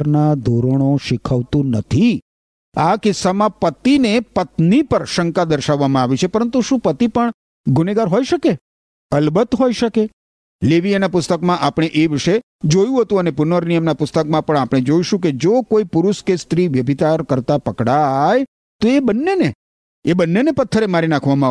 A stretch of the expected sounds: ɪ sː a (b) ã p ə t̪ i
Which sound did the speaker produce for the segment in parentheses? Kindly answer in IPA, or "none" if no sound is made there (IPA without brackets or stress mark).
m